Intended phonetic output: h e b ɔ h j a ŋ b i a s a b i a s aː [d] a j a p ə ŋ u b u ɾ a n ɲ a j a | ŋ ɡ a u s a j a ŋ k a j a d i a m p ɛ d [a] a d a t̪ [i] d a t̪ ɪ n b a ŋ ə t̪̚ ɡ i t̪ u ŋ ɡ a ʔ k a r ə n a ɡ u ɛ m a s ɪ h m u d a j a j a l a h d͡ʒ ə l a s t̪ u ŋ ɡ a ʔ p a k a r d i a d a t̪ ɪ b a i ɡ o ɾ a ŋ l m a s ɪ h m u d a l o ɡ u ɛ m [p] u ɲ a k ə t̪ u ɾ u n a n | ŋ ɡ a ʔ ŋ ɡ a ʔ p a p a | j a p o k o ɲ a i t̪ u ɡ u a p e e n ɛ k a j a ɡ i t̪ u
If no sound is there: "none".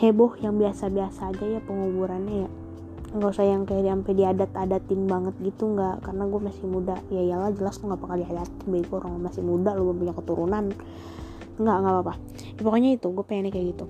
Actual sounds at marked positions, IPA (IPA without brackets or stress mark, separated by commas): d͡ʒ, i, a, p